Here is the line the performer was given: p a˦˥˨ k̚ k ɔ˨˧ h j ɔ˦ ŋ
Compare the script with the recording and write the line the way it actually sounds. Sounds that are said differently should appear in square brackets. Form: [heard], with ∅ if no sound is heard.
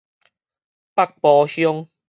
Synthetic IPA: p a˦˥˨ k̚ [p] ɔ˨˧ h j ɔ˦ ŋ